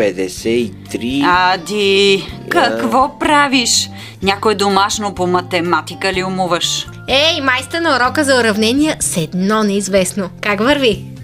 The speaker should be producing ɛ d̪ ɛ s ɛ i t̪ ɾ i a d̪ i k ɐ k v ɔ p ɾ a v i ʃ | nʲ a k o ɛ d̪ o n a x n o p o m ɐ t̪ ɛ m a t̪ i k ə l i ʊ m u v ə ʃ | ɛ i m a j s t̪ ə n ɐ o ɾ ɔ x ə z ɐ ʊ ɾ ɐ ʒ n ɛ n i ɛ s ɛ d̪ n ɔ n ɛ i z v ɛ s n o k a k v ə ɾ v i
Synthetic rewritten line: ɛ d̪ ɛ s ɛ i t̪ ɾ i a d̪ i k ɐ k v ɔ p ɾ a v i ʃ | nʲ a k o ɛ d̪ o m a ʃ n o p o m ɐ t̪ ɛ m a t̪ i k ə l i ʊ m u v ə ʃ | ɛ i m a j s t̪ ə n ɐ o ɾ ɔ k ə z ɐ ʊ ɾ ɐ v n ɛ n i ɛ s ɛ d̪ n ɔ n ɛ i z v ɛ s n o k a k v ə ɾ v i